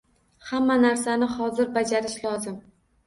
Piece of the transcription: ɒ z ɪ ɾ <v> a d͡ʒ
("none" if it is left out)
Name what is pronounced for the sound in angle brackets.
b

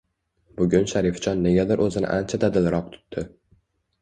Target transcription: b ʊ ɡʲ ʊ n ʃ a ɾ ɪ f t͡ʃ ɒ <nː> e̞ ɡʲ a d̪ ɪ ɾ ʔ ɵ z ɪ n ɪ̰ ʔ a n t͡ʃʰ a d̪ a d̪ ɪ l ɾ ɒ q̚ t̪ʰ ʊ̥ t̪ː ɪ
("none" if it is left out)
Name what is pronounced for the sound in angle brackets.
nː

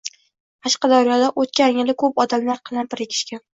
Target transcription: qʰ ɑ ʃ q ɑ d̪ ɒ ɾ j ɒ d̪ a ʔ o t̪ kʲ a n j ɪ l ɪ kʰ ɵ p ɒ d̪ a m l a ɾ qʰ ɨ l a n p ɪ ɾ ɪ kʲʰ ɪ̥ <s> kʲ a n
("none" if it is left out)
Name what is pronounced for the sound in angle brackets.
ʃ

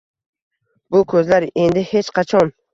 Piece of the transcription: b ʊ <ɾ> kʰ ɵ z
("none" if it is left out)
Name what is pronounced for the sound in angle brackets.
none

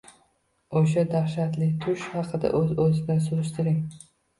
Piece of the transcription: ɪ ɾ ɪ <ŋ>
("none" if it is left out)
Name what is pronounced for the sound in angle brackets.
ŋ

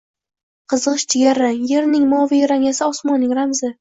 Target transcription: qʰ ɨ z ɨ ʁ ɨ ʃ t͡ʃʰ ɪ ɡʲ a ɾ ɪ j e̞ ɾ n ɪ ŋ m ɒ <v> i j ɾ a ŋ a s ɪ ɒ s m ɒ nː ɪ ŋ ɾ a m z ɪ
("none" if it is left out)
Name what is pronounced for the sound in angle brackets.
v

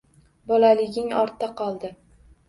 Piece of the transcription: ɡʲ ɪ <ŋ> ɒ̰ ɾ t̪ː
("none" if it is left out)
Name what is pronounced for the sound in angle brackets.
ŋ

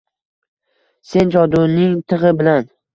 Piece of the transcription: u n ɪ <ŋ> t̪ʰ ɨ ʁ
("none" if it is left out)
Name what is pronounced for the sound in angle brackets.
ŋ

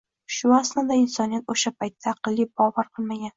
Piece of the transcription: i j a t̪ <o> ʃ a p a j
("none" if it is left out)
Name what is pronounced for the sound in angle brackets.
o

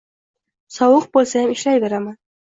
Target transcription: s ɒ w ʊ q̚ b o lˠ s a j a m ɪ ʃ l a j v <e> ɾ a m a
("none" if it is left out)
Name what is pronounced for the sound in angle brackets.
e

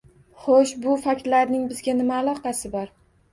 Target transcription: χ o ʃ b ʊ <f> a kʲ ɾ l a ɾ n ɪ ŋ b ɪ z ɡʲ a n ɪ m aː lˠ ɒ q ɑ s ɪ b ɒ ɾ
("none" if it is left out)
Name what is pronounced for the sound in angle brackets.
f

